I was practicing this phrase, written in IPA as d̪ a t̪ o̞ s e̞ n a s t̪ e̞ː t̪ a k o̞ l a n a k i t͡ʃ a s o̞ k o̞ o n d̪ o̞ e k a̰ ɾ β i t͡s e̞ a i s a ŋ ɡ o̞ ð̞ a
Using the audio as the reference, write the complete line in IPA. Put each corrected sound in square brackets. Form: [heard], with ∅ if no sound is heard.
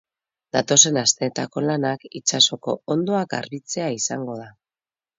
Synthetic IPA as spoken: d̪ a t̪ o̞ s e̞ n a s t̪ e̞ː t̪ a k o̞ l a n a k i t͡ʃ a s o̞ k o̞ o n d̪ o̞ [a] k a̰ ɾ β i t͡s e̞ a i s a ŋ ɡ o̞ ð̞ a